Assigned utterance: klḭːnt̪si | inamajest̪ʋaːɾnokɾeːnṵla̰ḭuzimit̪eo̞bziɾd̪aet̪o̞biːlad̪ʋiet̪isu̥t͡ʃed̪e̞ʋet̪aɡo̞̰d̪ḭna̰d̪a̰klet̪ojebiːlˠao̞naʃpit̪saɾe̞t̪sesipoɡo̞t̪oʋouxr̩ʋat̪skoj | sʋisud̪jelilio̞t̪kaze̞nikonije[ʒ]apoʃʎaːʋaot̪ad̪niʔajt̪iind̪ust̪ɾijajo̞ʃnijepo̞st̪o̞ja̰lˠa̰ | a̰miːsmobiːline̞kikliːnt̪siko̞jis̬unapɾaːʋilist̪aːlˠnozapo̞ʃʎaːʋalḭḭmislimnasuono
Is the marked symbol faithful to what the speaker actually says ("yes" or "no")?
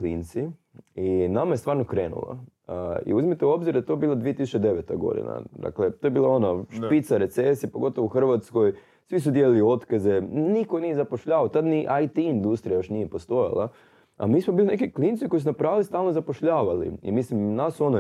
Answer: no